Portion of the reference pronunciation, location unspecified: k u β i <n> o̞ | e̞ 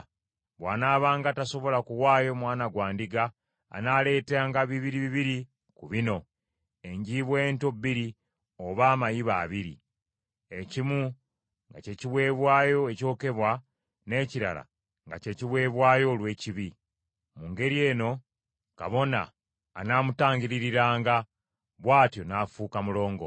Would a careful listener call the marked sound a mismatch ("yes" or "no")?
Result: no